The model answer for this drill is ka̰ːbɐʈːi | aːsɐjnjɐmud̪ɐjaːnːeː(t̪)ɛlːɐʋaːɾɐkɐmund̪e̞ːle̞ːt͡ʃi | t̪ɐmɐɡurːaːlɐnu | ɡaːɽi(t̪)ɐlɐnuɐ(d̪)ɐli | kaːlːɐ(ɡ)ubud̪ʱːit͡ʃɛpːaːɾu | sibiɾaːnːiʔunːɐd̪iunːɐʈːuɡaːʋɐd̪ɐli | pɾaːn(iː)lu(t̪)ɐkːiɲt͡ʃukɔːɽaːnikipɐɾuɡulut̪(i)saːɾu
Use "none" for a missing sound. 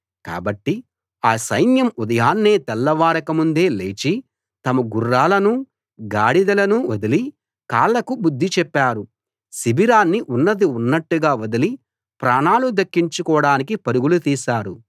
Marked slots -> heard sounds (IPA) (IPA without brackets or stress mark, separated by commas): t̪, d̪, d̪, k, aː, d̪, iː